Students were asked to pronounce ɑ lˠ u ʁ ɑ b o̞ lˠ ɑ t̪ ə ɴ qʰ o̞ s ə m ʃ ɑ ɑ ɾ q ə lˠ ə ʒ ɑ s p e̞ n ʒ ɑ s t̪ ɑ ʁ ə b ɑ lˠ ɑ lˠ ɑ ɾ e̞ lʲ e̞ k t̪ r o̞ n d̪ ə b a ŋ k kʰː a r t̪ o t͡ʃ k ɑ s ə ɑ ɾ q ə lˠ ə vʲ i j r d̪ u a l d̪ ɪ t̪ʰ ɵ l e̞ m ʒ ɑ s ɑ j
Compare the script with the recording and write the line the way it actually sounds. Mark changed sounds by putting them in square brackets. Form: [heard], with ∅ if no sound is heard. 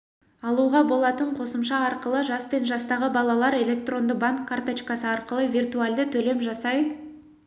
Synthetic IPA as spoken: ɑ lˠ u ʁ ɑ b o̞ lˠ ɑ t̪ ə ɴ qʰ o̞ s ə m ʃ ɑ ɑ ɾ q ə lˠ ə ʒ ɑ s p e̞ n ʒ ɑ s t̪ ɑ ʁ ə b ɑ lˠ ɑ lˠ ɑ ɾ e̞ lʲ e̞ k t̪ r o̞ n d̪ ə b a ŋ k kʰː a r t̪ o t͡ʃ k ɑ s ə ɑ ɾ q ə lˠ ə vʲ i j r [t̪] u a l d̪ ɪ t̪ʰ ɵ l e̞ m ʒ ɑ s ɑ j

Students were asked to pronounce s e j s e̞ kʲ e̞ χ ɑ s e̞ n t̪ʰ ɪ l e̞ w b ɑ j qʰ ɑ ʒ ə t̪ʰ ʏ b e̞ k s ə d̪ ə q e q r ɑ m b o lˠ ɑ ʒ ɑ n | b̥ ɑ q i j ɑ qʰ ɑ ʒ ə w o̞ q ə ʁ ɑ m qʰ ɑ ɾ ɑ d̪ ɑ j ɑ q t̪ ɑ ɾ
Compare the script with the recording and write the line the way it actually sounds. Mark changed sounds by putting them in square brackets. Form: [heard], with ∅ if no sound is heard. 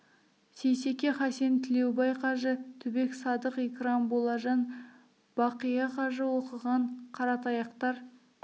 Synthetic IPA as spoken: s e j s e̞ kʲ e̞ χ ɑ s e̞ n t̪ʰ ɪ l e̞ w b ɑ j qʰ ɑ ʒ ə t̪ʰ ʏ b e̞ k s [ɑ] d̪ ə q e [k] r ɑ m b o lˠ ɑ ʒ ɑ n | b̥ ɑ q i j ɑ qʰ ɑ ʒ ə w o̞ q ə ʁ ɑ [ɴ] qʰ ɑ ɾ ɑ [t̪] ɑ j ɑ q t̪ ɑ ɾ

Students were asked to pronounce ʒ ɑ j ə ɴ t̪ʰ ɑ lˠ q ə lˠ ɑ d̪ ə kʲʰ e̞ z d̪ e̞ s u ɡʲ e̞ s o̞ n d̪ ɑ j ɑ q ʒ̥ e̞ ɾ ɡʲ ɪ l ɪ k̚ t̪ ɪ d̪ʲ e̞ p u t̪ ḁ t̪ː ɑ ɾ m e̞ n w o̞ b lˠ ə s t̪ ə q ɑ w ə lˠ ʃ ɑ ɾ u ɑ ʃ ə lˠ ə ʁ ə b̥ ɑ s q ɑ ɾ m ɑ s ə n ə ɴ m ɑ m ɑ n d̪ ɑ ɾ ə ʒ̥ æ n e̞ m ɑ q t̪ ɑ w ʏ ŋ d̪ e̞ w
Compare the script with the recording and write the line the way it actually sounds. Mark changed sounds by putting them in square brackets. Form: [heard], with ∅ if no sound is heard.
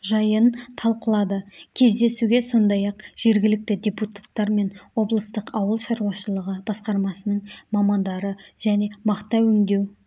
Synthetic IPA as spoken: ʒ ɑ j ə [n] t̪ʰ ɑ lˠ q ə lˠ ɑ d̪ ə kʲʰ e̞ z d̪ e̞ s u ɡʲ e̞ s o̞ n d̪ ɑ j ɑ q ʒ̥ e̞ ɾ ɡʲ ɪ l ɪ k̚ t̪ ɪ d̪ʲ e̞ p u t̪ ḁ t̪ː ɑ ɾ m e̞ n w o̞ b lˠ ə s t̪ ə q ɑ w ə lˠ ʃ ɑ ɾ u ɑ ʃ ə lˠ ə ʁ ə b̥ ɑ s q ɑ ɾ m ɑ s ə n ə ɴ m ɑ m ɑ n d̪ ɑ ɾ ə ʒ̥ æ n e̞ m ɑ q t̪ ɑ w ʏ ŋ d̪ e̞ w

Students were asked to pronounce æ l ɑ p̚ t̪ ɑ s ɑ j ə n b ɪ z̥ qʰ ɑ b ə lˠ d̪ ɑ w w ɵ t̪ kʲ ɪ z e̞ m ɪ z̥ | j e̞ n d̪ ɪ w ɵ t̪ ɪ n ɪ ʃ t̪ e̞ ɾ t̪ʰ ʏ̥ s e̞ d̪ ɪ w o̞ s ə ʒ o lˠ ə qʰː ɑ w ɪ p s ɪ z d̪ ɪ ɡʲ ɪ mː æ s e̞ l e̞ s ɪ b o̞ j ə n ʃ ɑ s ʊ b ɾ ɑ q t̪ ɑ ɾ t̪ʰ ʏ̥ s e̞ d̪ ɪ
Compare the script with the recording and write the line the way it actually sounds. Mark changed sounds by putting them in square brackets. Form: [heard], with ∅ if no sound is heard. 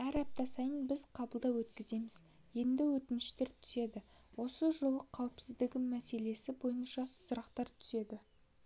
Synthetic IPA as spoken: æ [ɾ] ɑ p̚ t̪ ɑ s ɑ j ə n b ɪ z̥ qʰ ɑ b ə lˠ d̪ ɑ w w ɵ t̪ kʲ ɪ z e̞ m ɪ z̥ | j e̞ n d̪ ɪ w ɵ t̪ ɪ n ɪ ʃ t̪ e̞ ɾ t̪ʰ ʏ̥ s e̞ d̪ ɪ w o̞ s ə ʒ o lˠ ə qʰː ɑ w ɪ p s ɪ z d̪ ɪ ɡʲ ɪ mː æ s e̞ l e̞ s ɪ b o̞ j ə n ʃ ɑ s ʊ [∅] ɾ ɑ q t̪ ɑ ɾ t̪ʰ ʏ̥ s e̞ d̪ ɪ

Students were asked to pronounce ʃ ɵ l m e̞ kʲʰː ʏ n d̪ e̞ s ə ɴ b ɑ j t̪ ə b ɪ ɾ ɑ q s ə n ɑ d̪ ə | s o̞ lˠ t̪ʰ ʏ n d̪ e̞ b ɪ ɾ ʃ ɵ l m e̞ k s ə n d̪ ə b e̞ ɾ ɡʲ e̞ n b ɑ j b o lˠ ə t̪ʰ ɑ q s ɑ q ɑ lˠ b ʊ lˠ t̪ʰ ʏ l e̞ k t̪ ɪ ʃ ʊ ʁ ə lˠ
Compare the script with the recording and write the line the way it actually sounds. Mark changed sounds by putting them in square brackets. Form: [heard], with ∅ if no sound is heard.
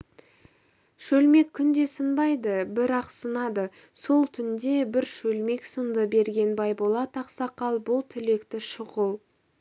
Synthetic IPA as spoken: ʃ ɵ l m e̞ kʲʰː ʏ n d̪ e̞ s ə [n] b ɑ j [d̪] ə b ɪ ɾ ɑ q s ə n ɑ d̪ ə | s o̞ lˠ t̪ʰ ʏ n d̪ e̞ b ɪ ɾ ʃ ɵ l m e̞ k s ə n d̪ ə b e̞ ɾ ɡʲ e̞ n b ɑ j b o lˠ [ɑ] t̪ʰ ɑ q s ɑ q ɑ lˠ b ʊ lˠ t̪ʰ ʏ l e̞ k t̪ ɪ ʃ ʊ ʁ ə lˠ

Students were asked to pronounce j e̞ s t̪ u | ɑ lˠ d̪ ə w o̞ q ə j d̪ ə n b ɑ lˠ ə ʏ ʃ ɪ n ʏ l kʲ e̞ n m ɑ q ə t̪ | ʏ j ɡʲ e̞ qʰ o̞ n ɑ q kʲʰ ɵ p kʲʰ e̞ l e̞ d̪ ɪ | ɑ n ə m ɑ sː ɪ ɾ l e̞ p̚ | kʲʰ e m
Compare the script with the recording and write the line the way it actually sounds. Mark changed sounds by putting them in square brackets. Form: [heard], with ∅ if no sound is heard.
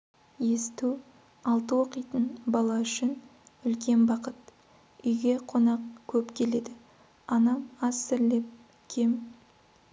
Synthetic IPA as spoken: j e̞ s t̪ u | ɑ lˠ [t̪] ə w o̞ q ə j [t̪] ə n b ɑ lˠ [ɑ] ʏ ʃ ɪ n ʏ l kʲ e̞ n [b] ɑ q ə t̪ | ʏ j ɡʲ e̞ qʰ o̞ n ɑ q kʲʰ ɵ p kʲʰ e̞ l e̞ d̪ ɪ | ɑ n [ɑ] m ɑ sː ɪ ɾ l e̞ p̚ | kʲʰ e m

